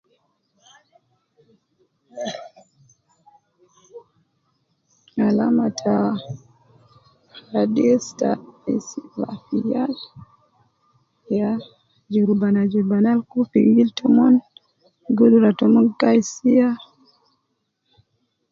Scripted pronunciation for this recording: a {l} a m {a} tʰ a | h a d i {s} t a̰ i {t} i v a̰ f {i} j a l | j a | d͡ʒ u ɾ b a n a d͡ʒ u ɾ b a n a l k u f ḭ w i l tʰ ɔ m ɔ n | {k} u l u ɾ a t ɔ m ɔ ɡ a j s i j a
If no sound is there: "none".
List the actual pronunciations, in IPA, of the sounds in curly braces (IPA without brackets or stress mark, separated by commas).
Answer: l, a, s, s, i, ɡ